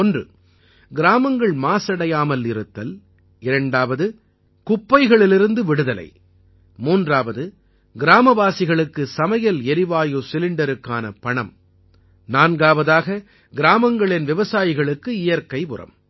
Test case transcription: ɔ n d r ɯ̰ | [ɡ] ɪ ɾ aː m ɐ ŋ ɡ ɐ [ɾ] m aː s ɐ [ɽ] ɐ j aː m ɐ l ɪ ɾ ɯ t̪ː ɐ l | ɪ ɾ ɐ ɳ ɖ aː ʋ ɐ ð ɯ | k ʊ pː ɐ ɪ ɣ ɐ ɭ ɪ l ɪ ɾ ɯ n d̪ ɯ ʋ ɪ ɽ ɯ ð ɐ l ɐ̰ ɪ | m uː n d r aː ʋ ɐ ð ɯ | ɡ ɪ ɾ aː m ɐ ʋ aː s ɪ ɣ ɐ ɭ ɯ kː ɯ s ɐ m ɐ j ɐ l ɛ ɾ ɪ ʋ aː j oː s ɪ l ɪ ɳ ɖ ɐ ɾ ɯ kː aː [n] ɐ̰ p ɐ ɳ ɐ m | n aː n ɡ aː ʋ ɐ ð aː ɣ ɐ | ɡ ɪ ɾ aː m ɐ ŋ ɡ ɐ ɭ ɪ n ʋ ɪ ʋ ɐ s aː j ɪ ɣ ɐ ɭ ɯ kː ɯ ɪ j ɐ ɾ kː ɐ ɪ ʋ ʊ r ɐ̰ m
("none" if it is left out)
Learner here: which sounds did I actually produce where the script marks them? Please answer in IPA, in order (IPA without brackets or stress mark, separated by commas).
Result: ɡ, ɭ, ɽ, n